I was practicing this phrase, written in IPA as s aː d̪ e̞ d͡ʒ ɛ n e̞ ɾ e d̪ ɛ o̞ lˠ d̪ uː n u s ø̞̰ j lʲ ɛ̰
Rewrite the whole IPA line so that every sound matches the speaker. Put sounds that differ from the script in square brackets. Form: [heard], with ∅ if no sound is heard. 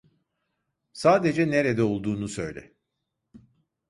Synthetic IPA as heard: s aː d̪ e̞ d͡ʒ ɛ n e̞ ɾ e d̪ ɛ o̞ lˠ d̪ uː n u s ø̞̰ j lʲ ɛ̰